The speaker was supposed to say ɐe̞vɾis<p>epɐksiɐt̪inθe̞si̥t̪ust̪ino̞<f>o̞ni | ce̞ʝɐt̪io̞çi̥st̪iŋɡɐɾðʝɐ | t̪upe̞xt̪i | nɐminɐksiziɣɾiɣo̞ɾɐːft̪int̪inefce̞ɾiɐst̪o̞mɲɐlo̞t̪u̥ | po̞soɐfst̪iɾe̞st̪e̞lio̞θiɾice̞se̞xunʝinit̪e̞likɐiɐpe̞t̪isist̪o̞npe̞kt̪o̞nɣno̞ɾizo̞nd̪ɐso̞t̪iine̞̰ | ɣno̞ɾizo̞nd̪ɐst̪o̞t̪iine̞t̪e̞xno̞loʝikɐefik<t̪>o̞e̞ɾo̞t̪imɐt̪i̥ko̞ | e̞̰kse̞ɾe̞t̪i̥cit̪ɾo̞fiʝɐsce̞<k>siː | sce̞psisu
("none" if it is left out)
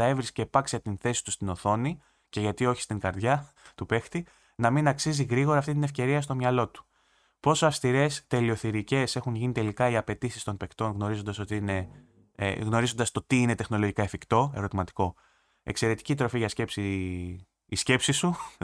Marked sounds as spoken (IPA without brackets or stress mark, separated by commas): c, θ, t̪, p